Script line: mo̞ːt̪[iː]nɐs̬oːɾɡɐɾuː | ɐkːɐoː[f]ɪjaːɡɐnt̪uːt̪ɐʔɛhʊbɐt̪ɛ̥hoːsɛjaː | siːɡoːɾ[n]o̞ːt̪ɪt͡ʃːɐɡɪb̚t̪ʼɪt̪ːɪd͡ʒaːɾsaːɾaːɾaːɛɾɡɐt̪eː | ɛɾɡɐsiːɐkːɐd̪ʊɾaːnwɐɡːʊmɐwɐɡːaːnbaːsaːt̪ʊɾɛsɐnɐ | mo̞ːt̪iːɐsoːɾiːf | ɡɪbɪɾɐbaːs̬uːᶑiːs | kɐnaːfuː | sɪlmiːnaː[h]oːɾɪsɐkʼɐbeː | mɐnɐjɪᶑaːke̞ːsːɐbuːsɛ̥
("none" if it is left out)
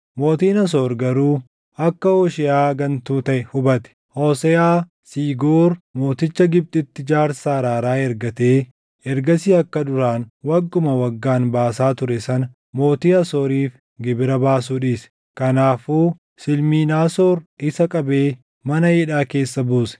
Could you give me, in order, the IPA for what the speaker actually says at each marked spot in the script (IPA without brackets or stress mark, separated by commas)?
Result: iː, ʃ, m, s